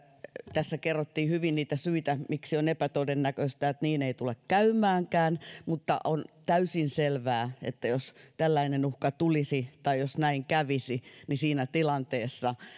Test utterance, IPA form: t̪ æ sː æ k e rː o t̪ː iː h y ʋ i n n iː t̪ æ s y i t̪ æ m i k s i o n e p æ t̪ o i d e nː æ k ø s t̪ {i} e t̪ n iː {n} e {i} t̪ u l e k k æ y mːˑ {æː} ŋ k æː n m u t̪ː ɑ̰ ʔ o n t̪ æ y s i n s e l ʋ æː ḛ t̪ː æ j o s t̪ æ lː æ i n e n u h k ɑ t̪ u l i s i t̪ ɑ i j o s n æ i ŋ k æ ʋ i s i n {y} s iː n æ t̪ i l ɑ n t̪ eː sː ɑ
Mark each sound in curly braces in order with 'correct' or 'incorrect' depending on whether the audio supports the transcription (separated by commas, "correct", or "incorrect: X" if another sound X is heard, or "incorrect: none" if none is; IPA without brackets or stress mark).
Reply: incorrect: æ, correct, correct, correct, incorrect: i